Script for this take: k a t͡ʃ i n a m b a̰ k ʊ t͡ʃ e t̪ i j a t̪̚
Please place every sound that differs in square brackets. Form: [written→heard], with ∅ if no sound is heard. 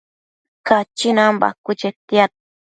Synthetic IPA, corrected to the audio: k a t͡ʃ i n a m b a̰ k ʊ t͡ʃ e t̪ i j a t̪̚